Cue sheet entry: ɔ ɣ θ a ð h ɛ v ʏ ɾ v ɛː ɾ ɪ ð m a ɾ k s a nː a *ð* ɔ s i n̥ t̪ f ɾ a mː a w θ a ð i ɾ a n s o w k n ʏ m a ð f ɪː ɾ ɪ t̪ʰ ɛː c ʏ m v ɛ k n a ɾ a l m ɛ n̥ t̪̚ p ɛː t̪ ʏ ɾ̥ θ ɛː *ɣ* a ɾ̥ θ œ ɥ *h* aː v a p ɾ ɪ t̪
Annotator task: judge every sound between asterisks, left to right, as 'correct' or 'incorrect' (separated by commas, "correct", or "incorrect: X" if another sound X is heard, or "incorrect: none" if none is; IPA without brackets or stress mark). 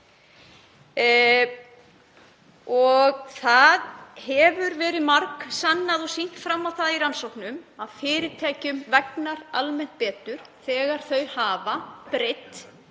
correct, correct, correct